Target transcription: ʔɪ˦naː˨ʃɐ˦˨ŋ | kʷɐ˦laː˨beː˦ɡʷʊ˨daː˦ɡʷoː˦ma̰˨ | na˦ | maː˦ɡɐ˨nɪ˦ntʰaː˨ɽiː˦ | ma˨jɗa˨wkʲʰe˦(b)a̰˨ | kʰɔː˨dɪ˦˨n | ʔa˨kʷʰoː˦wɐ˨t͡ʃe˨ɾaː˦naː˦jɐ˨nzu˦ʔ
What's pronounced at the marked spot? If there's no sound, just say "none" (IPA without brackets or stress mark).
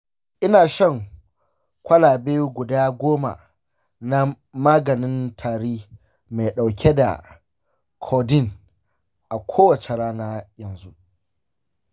d